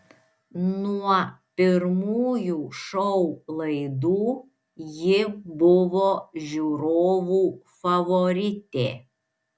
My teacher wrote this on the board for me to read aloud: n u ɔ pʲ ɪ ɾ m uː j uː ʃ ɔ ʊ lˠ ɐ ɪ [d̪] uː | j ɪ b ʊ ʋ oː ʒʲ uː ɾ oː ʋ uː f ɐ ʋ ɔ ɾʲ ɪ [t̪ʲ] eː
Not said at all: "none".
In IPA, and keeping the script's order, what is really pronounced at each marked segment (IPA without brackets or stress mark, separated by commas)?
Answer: d̪, t̪ʲ